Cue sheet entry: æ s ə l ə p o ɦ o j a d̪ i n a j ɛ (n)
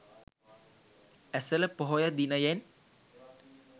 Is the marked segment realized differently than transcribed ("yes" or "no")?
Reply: no